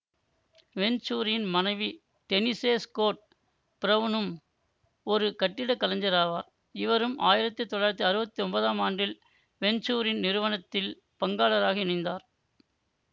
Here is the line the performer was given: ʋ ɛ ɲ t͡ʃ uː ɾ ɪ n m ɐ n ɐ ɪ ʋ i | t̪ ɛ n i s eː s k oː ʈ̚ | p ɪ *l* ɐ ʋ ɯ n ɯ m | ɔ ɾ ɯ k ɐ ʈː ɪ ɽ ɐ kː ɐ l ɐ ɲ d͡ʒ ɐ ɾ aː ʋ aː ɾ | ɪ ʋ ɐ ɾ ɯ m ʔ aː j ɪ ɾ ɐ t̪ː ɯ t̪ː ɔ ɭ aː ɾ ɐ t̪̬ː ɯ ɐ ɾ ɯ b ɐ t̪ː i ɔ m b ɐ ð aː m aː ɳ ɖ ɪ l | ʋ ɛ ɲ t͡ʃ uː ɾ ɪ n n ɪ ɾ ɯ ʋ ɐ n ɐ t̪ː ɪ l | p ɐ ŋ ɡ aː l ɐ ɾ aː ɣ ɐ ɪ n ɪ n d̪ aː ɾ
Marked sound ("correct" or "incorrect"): incorrect